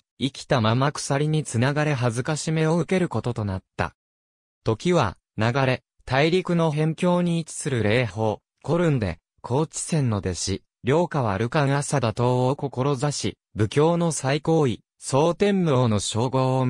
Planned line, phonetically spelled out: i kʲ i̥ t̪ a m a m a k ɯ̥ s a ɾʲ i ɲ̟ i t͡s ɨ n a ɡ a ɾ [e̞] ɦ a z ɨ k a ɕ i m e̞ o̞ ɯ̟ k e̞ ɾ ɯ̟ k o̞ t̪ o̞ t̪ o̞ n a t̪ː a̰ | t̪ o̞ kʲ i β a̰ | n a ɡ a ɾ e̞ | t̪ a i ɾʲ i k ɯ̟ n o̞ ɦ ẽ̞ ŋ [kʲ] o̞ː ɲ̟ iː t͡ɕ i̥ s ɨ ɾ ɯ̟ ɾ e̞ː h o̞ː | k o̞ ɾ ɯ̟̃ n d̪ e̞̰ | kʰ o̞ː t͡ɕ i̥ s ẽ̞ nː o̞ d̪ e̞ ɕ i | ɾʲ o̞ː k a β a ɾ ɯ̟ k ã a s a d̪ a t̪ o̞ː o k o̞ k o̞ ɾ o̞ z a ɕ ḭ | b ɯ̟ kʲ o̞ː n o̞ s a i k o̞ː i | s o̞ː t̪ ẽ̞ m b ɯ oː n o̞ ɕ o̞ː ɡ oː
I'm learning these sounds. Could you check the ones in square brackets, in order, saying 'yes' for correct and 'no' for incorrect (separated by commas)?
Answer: yes, yes